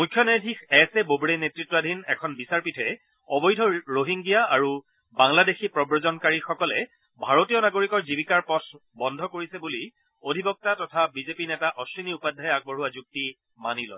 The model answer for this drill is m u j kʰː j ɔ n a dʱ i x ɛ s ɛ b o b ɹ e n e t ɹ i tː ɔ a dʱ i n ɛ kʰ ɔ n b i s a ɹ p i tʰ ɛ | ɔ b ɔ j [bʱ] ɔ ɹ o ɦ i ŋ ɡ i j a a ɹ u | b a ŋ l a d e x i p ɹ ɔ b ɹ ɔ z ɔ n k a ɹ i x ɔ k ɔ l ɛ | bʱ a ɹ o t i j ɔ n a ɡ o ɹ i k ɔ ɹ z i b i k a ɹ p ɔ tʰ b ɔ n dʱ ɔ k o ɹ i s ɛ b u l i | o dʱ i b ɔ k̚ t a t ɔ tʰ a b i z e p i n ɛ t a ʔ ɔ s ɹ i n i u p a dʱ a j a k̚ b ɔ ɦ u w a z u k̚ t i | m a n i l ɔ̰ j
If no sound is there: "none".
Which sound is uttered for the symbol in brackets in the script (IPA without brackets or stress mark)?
dʱ